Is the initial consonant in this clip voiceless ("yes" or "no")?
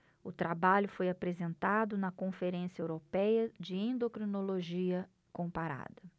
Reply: yes